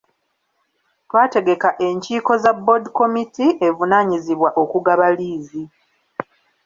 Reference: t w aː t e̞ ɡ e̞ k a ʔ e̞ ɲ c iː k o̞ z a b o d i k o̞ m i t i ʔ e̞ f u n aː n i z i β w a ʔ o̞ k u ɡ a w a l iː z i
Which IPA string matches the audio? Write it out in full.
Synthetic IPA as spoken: t w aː t e̞ ɡ e̞ k a ʔ e̞ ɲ c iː k o̞ z a b o d i k o̞ m i t i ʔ e̞ v u n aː ɲ i z i β w a ʔ o̞ k u ɡ a β a l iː z i